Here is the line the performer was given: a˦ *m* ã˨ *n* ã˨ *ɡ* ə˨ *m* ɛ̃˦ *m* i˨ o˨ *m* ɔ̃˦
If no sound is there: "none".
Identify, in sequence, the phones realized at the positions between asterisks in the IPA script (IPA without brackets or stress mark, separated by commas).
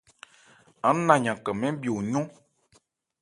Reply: n, ɲ, k, m, b, ɲ